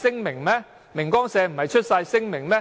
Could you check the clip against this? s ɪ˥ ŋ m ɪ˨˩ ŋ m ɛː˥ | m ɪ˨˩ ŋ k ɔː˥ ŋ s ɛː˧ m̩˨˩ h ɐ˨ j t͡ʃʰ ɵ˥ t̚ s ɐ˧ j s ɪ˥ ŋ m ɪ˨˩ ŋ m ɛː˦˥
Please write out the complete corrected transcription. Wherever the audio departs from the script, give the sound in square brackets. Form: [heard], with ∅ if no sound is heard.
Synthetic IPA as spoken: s ɪ˥ ŋ m ɪ˨˩ ŋ m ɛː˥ | m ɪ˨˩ ŋ k ɔː˥ ŋ s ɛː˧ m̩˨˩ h ɐ˨ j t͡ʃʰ ɵ˥ t̚ s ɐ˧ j s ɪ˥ ŋ m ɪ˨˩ ŋ m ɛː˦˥